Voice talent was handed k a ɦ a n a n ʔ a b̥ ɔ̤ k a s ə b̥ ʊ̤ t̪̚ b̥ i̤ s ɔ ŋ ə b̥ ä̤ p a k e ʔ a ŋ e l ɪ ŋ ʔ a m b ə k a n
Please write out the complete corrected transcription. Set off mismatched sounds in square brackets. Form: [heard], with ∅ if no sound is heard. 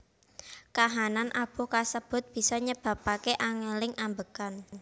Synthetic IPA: k a ɦ a n a n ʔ a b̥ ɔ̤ k a s ə b̥ ʊ̤ t̪̚ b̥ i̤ s ɔ [ɲ] ə b̥ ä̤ p a k e ʔ a ŋ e l ɪ ŋ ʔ a m b ə k a n